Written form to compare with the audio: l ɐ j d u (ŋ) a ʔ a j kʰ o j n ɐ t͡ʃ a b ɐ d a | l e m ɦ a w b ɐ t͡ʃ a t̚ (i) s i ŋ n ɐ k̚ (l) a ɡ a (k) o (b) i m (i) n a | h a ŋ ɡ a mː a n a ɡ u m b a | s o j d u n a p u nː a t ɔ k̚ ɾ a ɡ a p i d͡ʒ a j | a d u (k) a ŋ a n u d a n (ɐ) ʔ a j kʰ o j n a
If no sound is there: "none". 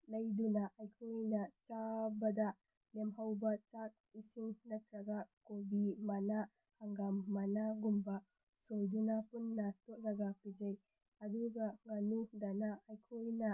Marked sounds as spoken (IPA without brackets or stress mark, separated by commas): n, i, ɾ, k, b, a, ɡ, a